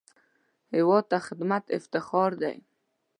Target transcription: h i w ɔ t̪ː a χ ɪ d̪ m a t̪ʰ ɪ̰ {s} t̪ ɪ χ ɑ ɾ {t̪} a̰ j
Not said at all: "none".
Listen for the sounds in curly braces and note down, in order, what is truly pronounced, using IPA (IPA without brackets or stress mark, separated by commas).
f, d̪